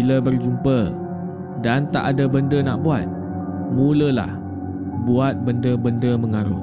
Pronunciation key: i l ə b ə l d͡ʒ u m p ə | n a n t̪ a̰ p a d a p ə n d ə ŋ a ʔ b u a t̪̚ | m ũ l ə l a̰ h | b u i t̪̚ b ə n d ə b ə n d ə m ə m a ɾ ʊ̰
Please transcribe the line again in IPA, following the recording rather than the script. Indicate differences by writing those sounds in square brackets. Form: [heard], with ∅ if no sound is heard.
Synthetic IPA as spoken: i l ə b ə [r] d͡ʒ u m p ə | [d] a n t̪ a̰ [ʔ] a d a [b] ə n d ə [n] a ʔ b u a t̪̚ | m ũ l ə l a̰ h | b u [a] t̪̚ b ə n d ə b ə n d ə m ə [ŋ] a ɾ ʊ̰